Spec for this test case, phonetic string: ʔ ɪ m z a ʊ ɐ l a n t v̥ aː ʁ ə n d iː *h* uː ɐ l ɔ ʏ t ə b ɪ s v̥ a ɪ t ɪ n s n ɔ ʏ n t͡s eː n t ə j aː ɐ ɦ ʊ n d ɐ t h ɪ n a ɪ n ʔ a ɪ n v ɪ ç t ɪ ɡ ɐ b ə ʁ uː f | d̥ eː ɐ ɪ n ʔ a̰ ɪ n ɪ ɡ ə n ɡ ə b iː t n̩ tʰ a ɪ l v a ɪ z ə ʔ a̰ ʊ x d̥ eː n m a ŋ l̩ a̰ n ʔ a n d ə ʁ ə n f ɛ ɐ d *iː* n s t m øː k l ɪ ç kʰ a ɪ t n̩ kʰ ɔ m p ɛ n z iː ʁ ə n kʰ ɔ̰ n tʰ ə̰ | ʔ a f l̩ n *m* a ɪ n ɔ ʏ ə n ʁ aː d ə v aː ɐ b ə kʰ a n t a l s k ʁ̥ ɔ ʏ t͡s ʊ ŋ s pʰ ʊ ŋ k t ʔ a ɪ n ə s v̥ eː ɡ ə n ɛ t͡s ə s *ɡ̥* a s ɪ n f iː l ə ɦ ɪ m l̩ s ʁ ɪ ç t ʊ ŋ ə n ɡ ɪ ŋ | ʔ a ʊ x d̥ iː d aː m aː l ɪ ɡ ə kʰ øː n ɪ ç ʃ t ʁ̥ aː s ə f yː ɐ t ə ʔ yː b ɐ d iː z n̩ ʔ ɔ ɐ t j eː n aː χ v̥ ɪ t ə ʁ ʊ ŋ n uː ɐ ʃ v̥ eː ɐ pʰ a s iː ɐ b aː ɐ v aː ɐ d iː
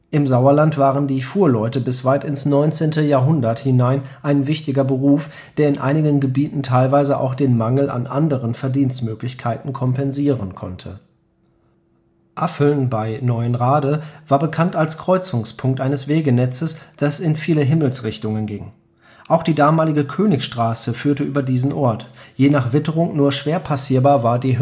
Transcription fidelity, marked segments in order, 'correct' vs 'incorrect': incorrect, correct, incorrect, incorrect

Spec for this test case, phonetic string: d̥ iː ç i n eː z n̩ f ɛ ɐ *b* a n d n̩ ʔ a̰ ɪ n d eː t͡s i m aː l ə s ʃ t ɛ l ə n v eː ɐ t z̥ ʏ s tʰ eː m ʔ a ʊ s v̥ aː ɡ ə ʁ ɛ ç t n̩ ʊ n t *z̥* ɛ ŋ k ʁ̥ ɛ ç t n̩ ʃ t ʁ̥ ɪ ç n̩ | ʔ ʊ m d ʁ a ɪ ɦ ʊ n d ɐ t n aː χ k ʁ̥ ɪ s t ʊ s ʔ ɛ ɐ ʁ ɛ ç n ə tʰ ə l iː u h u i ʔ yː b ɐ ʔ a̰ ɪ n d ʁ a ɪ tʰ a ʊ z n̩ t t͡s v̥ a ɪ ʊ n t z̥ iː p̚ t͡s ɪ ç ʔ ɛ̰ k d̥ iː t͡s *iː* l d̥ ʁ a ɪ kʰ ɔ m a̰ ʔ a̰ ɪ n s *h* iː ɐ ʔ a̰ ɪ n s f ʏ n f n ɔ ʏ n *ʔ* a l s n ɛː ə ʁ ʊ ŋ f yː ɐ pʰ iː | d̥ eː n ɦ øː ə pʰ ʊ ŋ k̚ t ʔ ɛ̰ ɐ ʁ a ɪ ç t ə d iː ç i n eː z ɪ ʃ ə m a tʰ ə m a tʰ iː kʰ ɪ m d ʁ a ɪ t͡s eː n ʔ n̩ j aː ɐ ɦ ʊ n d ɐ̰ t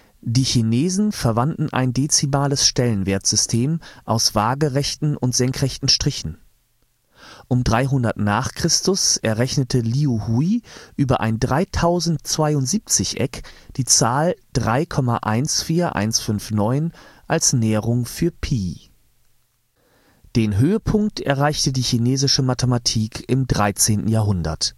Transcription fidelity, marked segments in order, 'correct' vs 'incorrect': incorrect, correct, incorrect, incorrect, correct

